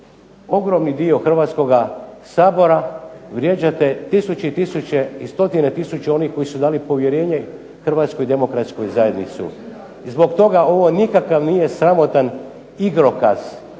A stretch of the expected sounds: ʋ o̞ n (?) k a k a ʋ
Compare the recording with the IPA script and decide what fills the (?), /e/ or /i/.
i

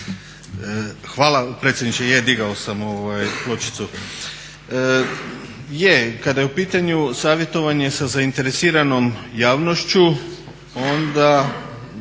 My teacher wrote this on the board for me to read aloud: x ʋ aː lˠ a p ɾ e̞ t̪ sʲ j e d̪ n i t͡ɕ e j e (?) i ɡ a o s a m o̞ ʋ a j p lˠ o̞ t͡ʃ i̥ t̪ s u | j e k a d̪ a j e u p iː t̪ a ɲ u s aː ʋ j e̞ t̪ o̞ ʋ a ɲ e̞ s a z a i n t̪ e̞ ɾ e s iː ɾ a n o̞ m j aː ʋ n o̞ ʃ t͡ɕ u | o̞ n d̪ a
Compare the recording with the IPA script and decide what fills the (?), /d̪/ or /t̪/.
d̪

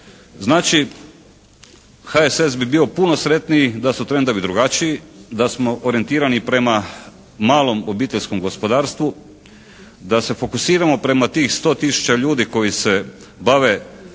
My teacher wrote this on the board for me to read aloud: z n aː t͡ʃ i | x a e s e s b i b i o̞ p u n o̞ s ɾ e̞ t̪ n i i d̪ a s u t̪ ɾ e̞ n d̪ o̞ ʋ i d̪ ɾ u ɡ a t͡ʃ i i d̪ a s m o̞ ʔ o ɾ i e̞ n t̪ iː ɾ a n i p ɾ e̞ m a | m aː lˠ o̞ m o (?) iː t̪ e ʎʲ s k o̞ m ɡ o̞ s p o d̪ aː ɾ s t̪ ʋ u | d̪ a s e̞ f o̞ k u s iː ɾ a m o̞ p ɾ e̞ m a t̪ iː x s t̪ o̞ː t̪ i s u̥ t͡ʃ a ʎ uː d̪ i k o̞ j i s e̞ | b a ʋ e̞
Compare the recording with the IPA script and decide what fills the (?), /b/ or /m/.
b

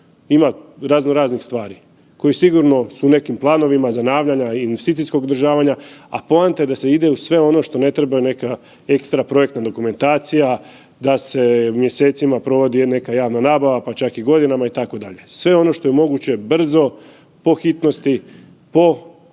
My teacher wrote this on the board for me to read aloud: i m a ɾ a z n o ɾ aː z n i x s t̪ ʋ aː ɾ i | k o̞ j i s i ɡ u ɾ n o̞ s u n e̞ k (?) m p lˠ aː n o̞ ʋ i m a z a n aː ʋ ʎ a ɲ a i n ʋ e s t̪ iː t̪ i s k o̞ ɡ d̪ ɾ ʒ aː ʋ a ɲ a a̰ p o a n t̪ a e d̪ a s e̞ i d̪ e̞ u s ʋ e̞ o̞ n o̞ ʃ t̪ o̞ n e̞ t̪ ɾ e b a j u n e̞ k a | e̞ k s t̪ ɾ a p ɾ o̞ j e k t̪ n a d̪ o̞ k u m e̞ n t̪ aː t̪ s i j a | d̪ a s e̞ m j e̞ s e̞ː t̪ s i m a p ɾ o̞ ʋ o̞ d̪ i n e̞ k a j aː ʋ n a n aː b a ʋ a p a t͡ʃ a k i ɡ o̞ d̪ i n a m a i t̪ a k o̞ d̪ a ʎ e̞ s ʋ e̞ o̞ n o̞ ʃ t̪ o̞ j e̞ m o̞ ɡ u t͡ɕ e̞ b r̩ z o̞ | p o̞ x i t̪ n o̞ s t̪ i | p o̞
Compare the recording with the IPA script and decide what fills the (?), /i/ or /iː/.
i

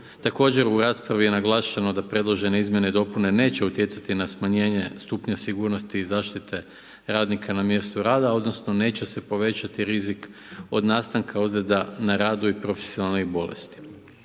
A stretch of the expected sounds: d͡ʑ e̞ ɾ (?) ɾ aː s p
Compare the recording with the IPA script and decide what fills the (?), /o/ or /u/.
u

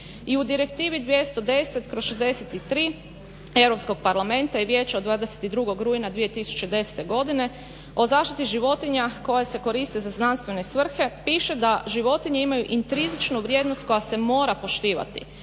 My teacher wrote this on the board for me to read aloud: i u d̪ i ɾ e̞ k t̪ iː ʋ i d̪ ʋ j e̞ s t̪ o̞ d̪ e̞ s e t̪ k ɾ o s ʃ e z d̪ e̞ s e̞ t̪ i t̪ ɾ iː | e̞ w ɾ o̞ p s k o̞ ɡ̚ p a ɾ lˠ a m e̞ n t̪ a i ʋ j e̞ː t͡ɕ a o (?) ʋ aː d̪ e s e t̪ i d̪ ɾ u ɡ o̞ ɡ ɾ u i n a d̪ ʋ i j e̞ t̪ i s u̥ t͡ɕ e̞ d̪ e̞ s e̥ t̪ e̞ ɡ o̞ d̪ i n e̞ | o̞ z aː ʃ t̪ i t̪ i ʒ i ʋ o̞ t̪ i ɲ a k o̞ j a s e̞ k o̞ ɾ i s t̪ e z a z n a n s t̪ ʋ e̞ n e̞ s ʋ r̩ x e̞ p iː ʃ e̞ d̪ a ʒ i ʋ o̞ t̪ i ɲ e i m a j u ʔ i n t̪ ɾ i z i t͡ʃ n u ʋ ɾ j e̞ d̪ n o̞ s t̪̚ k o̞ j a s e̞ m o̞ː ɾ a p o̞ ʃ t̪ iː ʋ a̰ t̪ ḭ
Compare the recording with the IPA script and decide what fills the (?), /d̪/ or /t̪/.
d̪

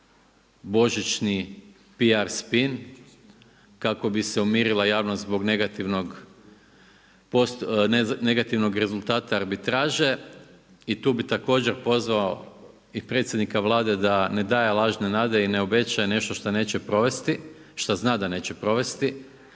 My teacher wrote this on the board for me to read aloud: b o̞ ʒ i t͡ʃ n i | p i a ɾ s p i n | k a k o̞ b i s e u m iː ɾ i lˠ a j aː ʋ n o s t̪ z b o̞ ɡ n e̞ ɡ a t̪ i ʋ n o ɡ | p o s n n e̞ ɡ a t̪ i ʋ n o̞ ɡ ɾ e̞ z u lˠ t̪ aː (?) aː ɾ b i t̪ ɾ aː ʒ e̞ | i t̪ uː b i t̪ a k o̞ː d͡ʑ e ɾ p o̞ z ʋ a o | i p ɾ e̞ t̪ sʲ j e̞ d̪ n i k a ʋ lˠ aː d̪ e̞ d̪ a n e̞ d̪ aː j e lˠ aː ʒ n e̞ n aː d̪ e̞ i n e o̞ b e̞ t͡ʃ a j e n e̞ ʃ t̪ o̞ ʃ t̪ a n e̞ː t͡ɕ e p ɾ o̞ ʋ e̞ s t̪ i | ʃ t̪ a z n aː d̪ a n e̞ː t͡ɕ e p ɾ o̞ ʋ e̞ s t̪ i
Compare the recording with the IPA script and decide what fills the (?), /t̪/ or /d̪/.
t̪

